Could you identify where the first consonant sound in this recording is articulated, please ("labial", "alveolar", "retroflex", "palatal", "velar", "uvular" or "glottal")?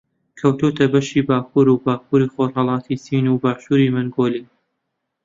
velar